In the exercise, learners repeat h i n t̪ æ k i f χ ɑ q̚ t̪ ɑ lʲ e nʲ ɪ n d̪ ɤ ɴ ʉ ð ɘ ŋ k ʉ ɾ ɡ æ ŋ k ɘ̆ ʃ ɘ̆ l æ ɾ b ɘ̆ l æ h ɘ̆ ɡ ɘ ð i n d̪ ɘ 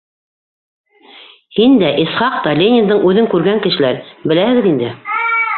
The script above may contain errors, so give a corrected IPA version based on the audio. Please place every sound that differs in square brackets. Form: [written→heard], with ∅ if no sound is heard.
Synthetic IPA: h i n [t̪→d̪] æ [k→ʔ] i [f→s] χ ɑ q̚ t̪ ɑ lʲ e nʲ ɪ n d̪ ɤ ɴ ʉ ð ɘ ŋ k ʉ ɾ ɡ æ ŋ k ɘ̆ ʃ ɘ̆ l æ ɾ b ɘ̆ l æ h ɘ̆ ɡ ɘ ð i n d̪ ɘ